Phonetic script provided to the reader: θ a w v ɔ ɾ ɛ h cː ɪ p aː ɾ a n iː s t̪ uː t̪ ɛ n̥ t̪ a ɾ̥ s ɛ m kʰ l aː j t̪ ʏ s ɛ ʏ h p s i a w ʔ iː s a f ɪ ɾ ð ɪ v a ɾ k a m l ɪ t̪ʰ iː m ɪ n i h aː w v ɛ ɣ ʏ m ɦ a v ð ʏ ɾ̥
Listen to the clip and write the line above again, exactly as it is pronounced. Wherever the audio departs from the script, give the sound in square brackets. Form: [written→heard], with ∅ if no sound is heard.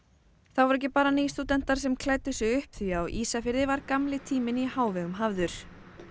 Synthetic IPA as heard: θ a w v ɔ ɾ ɛ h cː ɪ p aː ɾ a n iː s t̪ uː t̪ ɛ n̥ t̪ a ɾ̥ s ɛ m kʰ l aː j t̪ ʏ s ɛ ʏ h p [s→θ] i a w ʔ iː s a f ɪ ɾ ð ɪ v a ɾ k a m l ɪ t̪ʰ iː m ɪ n i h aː w v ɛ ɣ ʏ m ɦ a v ð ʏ ɾ̥